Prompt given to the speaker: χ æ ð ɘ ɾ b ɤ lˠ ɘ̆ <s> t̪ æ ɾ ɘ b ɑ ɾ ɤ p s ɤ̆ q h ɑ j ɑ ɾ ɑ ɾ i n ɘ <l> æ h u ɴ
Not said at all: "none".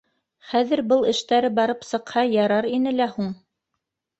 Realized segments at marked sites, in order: ʃ, l

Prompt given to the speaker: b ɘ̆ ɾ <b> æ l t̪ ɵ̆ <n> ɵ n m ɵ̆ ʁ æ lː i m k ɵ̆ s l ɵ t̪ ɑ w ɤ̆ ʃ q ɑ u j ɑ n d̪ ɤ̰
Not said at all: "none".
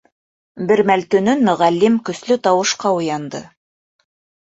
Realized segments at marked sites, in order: m, n

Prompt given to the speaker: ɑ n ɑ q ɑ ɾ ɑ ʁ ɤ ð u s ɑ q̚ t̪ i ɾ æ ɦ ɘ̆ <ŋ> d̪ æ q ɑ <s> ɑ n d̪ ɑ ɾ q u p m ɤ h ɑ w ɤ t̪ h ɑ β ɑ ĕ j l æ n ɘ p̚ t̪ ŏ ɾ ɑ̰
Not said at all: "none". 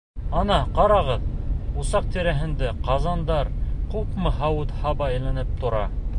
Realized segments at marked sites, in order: n, z

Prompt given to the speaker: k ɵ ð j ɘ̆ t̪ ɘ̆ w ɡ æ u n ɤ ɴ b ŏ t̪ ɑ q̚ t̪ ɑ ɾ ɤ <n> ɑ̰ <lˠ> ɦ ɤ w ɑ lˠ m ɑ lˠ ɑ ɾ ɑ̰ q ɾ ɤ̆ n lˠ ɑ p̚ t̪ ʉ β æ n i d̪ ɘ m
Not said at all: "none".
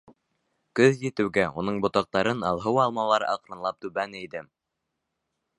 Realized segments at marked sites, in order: n, lˠ

